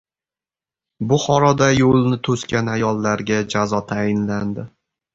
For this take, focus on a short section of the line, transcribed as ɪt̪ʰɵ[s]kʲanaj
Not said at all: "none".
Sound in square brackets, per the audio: s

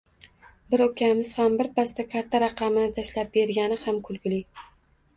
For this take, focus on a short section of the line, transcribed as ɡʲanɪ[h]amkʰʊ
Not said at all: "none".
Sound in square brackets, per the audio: h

